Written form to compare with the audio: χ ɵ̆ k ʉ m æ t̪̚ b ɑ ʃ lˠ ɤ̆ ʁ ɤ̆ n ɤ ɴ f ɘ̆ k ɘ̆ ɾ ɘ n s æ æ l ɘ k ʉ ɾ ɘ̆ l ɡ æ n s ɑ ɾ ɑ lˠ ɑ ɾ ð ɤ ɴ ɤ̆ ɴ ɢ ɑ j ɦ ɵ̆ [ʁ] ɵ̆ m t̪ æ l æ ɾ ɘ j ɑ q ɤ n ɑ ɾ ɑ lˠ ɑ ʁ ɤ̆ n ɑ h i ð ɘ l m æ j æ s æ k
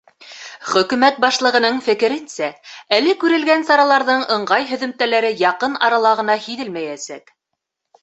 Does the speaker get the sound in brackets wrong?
yes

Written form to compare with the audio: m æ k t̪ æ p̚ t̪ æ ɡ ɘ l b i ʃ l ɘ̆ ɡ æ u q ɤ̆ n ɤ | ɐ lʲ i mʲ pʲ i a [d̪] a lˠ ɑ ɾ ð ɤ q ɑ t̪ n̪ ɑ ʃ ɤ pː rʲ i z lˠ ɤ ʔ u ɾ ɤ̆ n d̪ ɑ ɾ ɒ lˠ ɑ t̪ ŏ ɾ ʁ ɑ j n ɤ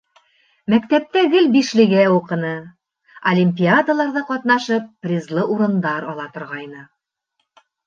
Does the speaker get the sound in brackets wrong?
no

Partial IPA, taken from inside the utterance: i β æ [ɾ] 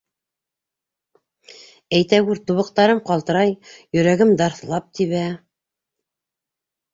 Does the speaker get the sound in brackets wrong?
yes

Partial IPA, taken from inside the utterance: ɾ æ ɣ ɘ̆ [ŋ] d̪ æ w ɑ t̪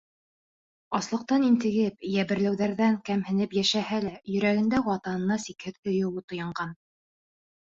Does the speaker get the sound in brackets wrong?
yes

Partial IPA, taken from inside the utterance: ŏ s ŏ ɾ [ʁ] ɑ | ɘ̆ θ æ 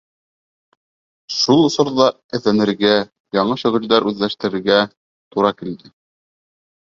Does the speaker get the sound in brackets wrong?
yes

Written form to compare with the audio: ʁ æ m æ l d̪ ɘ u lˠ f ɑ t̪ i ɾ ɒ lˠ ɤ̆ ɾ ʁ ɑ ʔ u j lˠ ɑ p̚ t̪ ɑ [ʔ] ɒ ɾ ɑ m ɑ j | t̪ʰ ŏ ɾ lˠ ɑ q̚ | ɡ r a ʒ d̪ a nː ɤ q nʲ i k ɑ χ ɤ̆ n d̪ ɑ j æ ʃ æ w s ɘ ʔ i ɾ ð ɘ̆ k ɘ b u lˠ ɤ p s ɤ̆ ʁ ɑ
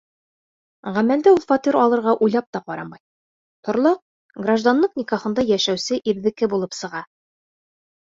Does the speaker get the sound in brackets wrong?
yes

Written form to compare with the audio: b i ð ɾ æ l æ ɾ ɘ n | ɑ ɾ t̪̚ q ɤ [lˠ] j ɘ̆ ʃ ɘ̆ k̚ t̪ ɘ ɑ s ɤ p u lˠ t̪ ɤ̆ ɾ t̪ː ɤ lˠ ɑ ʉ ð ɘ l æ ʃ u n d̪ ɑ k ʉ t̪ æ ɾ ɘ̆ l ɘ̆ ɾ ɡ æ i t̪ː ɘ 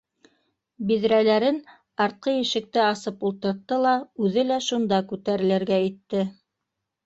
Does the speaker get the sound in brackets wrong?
yes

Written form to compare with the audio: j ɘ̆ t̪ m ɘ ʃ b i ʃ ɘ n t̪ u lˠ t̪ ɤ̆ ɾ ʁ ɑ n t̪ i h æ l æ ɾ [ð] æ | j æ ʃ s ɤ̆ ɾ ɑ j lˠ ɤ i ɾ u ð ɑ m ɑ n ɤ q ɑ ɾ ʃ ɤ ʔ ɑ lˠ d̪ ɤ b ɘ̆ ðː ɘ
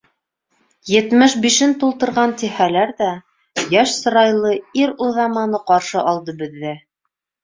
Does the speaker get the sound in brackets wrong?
no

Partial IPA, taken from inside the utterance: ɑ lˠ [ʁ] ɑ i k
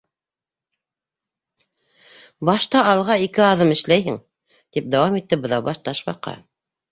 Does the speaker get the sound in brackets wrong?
no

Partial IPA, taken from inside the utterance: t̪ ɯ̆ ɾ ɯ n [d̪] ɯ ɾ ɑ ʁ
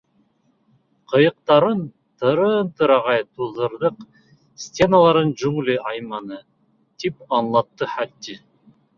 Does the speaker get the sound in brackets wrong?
yes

